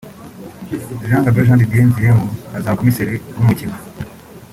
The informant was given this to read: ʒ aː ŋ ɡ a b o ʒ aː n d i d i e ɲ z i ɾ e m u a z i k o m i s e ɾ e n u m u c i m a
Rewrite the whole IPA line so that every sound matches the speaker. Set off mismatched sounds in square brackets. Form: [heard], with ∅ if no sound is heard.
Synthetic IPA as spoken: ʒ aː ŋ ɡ a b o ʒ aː n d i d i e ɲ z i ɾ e m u a z [a] k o m i s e ɾ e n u m u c i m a